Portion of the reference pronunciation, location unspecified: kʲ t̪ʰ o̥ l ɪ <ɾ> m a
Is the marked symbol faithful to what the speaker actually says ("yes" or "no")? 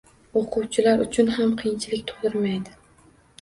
yes